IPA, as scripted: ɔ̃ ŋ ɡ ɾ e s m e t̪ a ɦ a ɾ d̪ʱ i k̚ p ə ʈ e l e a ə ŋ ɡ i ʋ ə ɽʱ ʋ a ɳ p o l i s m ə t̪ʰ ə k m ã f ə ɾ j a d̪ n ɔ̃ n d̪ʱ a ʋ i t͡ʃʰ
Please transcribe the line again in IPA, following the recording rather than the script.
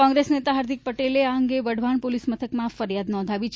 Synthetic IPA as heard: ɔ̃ ŋ ɡ ɾ e s n e t̪ a ɦ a ɾ d̪ʱ i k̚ p ə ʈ e l e a ə ŋ ɡ e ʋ ə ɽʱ ʋ a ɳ p o l i s m ə t̪ʰ ə k m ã f ə ɾ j a d̪ n ɔ̃ n d̪ʱ a ʋ i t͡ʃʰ

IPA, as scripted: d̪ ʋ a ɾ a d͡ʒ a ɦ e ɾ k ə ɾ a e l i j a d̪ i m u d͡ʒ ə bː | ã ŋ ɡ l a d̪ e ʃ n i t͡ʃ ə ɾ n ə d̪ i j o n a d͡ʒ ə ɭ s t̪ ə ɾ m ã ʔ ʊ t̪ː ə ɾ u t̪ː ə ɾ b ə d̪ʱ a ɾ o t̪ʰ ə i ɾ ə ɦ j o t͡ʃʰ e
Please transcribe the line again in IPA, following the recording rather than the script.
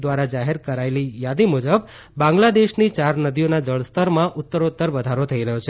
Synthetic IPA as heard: d̪ ʋ a ɾ a d͡ʒ a ɦ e ɾ k ə ɾ a e l i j a d̪ i m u d͡ʒ ə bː | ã ŋ ɡ l a d̪ e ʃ n i t͡ʃ a ɾ n ə d̪ i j o n a d͡ʒ ə ɭ s t̪ ə ɾ m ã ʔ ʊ t̪ː ə ɾ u t̪ː ə ɾ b ə d̪ʱ a ɾ o t̪ʰ ə i ɾ ə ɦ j o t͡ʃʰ e

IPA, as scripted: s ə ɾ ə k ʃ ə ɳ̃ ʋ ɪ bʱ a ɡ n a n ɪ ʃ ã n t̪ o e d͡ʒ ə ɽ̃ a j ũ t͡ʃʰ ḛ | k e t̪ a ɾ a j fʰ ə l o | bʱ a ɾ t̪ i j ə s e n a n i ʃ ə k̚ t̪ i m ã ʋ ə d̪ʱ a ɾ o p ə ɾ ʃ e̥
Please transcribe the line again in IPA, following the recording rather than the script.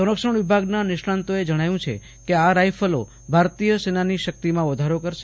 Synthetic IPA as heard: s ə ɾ ə k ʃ ə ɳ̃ ʋ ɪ bʱ a ɡ n a n ɪ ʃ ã n t̪ o e d͡ʒ ə ɽ̃ a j ũ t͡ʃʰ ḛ | k e a ɾ a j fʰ ə l o | bʱ a ɾ t̪ i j ə s e n a n i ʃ ə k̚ t̪ i m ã ʋ ə d̪ʱ a ɾ o k ə ɾ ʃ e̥

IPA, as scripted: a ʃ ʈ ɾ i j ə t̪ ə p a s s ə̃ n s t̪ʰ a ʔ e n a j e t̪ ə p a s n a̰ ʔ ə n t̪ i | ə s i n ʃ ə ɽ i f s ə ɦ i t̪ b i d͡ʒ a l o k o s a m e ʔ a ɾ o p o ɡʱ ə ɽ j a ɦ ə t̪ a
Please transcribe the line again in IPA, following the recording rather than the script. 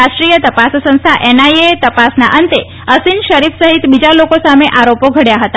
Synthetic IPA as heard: a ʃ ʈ ɾ i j ə t̪ ə p a s s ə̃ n s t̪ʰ a ʔ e n a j e t̪ ə p a s n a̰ ʔ ə n t̪ e | ə s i n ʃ ə ɾ i f s ə ɦ i t̪ b i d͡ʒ a l o k o s a m e ʔ a ɾ o p o ɡʱ ə ɽ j a ɦ ə t̪ a

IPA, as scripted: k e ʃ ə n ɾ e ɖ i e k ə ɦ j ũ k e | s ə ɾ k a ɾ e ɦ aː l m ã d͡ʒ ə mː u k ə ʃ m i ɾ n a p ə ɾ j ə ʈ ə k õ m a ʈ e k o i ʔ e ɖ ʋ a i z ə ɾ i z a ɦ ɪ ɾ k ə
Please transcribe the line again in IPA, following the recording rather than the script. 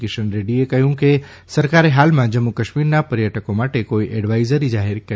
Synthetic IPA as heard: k e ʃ ə n ɾ e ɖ i e k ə ɦ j ũ k e | s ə ɾ k a ɾ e ɦ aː l m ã d͡ʒ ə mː u k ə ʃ m i ɾ n a p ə ɾ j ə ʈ ə k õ m a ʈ e k o i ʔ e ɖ ʋ a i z ə ɾ i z a ɦ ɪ ɾ k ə

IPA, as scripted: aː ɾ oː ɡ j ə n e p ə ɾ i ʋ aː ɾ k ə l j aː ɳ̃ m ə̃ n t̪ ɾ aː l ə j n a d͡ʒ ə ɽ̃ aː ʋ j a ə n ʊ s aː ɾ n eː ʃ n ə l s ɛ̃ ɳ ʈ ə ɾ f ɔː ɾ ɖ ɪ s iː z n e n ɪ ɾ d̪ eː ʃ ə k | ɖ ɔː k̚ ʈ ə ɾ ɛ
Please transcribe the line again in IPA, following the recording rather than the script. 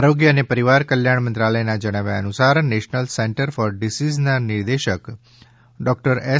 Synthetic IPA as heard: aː ɾ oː ɡ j ə n e p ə ɾ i ʋ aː ɾ k ə l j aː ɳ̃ m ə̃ n t̪ ɾ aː l ə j n a d͡ʒ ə ɽ̃ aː ʋ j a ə n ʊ s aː ɾ n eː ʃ n ə l s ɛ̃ ɳ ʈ ə ɾ f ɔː ɾ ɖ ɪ s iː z n a n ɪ ɾ d̪ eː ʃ ə k | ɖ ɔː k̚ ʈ ə ɾ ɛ

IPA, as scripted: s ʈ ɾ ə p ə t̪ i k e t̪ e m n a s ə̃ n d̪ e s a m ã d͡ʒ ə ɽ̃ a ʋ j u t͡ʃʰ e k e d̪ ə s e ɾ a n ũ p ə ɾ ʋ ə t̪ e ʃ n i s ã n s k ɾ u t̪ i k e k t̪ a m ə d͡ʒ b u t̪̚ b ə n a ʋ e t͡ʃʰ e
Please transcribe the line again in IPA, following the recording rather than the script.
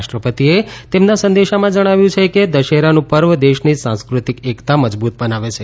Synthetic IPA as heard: ʃ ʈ ɾ ə p ə t̪ i e t̪ e m n a s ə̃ n d̪ e ʃ a m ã d͡ʒ ə ɽ̃ a ʋ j ũ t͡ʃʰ e k e d̪ ə ʃ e ɾ a n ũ p ə ɾ ʋ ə d̪ e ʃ n i s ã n s k ɾ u t̪ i k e k t̪ a m ə d͡ʒ b u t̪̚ b ə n a ʋ e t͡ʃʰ e

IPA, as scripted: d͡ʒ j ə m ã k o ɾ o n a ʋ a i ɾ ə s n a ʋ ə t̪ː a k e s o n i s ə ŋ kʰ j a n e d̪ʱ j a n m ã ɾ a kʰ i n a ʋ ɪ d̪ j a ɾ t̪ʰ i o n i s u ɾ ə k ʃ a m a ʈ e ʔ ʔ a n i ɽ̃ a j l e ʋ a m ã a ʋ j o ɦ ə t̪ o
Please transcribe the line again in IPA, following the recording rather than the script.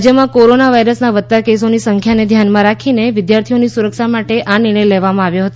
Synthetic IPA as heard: d͡ʒ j ə m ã k o ɾ o n a ʋ a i ɾ ə s n a ʋ ə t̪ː a k e s o n i s ə ŋ kʰ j a n e d̪ʱ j a n m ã ɾ a kʰ i n e ʋ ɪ d̪ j a ɾ t̪ʰ i o n i s u ɾ ə k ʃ a m a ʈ e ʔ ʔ a n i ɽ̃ ə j l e ʋ a m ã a ʋ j o ɦ ə t̪ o

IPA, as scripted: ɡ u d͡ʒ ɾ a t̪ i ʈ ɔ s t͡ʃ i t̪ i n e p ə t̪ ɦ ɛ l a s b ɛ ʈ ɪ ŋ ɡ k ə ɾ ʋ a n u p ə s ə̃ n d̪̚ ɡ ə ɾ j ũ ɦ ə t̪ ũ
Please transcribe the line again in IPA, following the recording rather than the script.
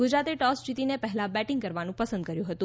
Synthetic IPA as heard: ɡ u d͡ʒ ɾ a t̪ e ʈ ɔ s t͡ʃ i t̪ i n e p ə ɦ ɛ l a b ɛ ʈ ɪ ŋ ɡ k ə ɾ ʋ a n ũ p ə s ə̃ n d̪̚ k ə ɾ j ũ ɦ ə t̪ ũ

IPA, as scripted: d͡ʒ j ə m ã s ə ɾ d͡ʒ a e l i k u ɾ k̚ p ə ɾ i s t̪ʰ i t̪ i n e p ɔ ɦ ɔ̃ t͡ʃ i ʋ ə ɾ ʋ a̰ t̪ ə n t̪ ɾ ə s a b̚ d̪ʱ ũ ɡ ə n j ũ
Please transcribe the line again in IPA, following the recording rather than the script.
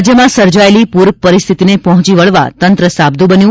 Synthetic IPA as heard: d͡ʒ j ə m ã s ə ɾ d͡ʒ a e l i p u ɾ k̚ p ə ɾ i s t̪ʰ i t̪ i n e p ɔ ɦ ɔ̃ t͡ʃ i ʋ ə ɭ ʋ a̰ t̪ ə n t̪ ɾ ə s a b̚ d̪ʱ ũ b ə n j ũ

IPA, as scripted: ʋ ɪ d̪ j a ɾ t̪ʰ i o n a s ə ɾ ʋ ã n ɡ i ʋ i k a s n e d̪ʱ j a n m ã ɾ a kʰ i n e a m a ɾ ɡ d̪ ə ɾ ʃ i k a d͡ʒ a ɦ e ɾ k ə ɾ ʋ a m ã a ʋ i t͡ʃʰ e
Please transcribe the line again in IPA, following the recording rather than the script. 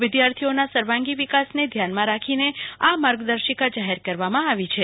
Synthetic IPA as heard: ʋ ɪ d̪ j a ɾ t̪ʰ i o n a s ə ɾ ʋ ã ŋ ɡ i ʋ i k a s n e d̪ʱ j a n m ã ɾ a kʰ i n e a m a ɾ ɡ d̪ ə ɾ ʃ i k a d͡ʒ a ɦ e ɾ k ə ɾ ʋ a m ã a ʋ i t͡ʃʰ e

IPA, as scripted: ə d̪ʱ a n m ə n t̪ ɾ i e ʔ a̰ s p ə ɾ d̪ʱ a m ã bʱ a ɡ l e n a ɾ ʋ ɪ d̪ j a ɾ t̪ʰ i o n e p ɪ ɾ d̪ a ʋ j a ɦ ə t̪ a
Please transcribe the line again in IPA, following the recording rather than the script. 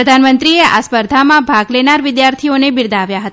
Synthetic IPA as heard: ə d̪ʱ a n m ə n t̪ ɾ i e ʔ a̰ s p ə ɾ d̪ʱ a m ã bʱ a ɡ l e n a ɾ ʋ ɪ d̪ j a ɾ t̪ʰ i o n e b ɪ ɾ d̪ a ʋ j a ɦ ə t̪ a

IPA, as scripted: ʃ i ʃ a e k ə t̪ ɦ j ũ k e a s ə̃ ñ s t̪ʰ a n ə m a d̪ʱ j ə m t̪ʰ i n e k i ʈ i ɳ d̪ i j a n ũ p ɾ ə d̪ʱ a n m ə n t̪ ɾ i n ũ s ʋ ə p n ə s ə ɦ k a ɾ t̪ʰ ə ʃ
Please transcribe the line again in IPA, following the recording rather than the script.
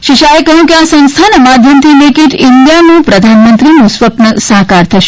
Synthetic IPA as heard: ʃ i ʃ a e k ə ɦ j ũ k e a s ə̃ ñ s t̪ʰ a n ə m a d̪ʱ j ə m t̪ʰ i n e k i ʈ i n d̪ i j a n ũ p ɾ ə d̪ʱ a n m ə n t̪ ɾ i n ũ s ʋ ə p n ə s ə ɦ k a ɾ t̪ʰ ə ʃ

